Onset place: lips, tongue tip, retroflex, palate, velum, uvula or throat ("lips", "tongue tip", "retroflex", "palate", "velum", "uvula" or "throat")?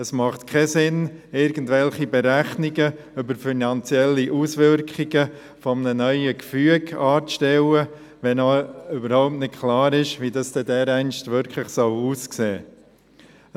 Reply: tongue tip